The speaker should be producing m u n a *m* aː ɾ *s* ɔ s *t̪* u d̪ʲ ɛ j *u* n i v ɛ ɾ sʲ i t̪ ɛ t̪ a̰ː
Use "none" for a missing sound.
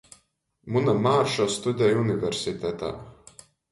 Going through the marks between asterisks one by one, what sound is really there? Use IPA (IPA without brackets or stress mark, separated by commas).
m, ʃ, t̪, u